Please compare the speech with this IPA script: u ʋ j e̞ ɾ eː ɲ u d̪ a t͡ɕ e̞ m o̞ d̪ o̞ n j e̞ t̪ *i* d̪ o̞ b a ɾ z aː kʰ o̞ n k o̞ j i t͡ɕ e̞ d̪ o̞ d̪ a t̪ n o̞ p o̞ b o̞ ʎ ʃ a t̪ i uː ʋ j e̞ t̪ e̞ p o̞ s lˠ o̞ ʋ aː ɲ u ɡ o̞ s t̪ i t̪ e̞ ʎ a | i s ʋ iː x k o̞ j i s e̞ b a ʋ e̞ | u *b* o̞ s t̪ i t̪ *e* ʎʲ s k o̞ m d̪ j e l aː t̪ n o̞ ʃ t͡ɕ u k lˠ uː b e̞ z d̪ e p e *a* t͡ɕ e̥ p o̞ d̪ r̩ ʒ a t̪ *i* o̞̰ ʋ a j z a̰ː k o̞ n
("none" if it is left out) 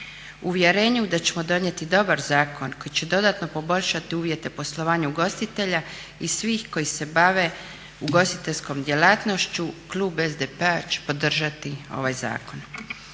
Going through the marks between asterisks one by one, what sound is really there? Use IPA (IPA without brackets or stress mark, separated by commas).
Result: i, ɡ, e, a, i